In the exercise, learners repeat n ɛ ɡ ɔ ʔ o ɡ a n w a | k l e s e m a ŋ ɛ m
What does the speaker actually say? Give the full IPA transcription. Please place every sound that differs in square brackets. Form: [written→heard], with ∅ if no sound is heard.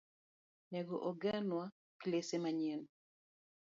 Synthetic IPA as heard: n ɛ ɡ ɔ ʔ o ɡ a n w a | k l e s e m a [ŋ→ɲ] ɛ [m→n]